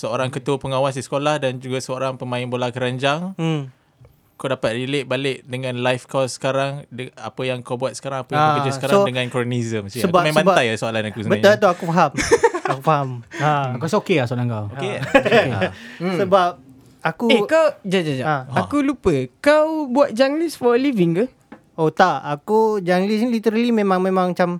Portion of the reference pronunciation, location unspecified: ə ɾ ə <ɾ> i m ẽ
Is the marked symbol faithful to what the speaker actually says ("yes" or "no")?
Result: no